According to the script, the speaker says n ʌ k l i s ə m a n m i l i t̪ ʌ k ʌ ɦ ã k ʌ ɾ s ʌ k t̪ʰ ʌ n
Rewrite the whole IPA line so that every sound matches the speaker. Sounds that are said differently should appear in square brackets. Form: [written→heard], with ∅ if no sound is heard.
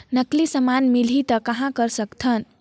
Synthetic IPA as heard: n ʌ k l i s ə m a n m i l i t̪ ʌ k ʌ ɦ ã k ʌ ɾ s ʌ k t̪ʰ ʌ n